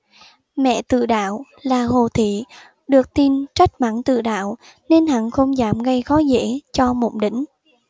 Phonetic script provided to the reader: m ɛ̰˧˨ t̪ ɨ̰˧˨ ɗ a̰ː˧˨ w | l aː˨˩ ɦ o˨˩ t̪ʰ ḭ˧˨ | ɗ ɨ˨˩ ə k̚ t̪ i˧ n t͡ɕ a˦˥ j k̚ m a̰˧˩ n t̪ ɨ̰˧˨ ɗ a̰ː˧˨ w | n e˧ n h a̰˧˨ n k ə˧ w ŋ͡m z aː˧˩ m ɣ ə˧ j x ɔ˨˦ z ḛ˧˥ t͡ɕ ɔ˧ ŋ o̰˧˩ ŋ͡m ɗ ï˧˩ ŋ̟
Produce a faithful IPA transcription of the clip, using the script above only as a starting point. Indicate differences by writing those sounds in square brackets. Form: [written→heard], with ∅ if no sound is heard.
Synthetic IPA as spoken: m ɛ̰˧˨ t̪ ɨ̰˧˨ ɗ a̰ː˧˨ w | l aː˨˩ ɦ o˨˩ t̪ʰ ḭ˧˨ | ɗ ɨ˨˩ ə k̚ t̪ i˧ n t͡ɕ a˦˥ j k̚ m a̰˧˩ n t̪ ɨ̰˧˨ ɗ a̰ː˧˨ w | n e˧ n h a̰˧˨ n [k→x] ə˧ w ŋ͡m z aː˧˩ m ɣ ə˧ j x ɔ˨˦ z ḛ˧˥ t͡ɕ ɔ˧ [ŋ→m] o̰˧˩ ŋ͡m ɗ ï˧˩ ŋ̟